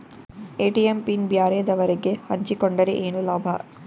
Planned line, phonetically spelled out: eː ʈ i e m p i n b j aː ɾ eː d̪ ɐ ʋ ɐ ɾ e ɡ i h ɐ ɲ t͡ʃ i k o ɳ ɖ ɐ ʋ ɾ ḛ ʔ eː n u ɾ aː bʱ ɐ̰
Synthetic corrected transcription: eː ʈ i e m p i n b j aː ɾ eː d̪ ɐ ʋ ɐ ɾ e ɡ e h ɐ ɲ t͡ʃ i k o ɳ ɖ ɐ ɾ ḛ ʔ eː n u l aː bʱ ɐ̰